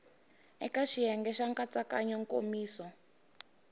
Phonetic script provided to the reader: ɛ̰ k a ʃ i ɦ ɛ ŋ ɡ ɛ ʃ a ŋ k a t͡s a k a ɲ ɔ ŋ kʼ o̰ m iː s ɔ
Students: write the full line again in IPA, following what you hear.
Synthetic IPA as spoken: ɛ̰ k a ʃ i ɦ ɛ ŋ ɡ ɛ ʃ a ŋ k a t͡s a k a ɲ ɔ ŋ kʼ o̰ m iː s ɔ